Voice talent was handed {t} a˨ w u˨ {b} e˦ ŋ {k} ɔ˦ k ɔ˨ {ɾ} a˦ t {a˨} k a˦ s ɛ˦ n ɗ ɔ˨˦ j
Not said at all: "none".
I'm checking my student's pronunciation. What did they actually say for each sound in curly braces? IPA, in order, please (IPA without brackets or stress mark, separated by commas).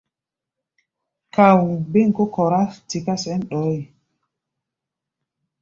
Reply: k, b, k, ɾ, i˨